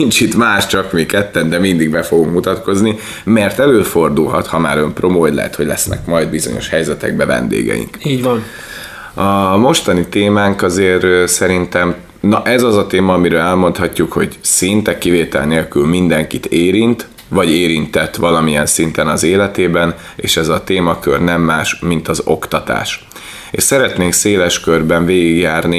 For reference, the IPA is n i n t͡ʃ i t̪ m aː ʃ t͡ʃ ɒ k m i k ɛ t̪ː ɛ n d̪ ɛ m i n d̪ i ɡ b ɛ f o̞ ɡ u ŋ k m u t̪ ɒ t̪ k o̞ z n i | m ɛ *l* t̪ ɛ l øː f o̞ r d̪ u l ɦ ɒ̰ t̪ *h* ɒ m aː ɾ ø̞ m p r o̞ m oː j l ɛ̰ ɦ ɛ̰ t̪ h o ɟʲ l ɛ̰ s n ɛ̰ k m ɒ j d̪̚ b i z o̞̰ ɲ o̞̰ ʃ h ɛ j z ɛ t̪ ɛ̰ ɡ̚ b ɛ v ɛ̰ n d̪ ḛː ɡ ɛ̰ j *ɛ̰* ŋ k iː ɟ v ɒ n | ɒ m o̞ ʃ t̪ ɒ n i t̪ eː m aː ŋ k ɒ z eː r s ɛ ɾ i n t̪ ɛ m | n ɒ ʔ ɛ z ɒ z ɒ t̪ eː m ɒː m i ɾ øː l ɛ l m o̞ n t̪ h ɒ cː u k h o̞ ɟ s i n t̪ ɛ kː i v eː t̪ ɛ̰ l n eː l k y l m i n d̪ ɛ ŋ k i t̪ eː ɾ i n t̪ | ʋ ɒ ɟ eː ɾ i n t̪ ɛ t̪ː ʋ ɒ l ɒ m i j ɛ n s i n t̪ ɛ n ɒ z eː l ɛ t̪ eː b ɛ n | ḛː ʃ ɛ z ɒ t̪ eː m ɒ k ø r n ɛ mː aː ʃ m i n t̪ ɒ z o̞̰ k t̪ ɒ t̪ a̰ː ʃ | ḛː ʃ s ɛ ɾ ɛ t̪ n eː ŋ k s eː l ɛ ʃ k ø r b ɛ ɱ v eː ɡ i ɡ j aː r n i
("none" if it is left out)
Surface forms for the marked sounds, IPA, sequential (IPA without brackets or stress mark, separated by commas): r, h, ḭ